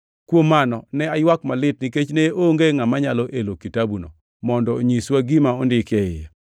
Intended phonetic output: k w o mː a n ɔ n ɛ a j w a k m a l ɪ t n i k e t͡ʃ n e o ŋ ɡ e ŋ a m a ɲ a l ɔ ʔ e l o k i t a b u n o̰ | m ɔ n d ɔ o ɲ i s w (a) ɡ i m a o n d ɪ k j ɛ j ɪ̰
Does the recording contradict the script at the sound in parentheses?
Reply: no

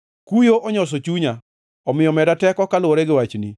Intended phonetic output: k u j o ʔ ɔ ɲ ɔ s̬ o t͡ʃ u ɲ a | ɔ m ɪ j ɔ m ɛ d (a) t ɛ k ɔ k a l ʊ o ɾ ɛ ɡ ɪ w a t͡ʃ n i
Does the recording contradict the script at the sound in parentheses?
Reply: no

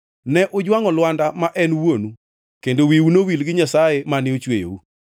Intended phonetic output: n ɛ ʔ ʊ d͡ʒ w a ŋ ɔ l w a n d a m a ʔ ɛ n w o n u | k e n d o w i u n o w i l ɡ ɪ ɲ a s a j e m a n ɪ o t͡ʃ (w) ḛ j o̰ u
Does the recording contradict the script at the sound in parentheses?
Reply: no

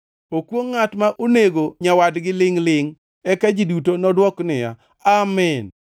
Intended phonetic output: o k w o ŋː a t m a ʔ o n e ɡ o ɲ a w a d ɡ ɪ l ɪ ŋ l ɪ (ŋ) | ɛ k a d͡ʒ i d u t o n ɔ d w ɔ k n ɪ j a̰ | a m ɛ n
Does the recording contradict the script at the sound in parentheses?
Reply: no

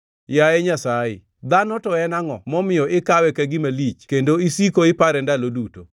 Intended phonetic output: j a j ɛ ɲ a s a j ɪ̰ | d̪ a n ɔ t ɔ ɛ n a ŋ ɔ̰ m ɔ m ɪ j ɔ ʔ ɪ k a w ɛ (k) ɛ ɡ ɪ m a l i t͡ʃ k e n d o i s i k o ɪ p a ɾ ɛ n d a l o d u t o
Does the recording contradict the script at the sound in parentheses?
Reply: no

